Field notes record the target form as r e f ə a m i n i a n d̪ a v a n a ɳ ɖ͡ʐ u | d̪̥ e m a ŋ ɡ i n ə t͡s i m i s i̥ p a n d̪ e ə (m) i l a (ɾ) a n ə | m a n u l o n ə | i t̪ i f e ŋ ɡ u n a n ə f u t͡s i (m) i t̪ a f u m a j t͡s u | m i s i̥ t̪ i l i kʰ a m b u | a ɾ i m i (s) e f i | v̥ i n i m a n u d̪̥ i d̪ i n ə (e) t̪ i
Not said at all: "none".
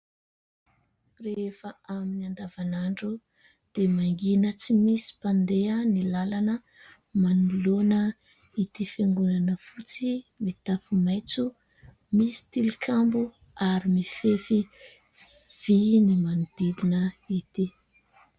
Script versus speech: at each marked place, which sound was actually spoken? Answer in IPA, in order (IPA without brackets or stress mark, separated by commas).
n, l, m, f, i